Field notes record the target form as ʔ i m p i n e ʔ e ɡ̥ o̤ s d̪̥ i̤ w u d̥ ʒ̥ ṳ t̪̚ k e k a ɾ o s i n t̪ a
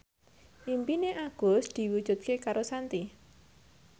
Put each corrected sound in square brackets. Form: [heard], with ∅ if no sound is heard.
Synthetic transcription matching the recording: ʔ i m p i n e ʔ [a] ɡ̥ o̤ s d̪̥ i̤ w u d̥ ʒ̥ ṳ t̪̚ k e k a ɾ o s [a] n t̪ [i]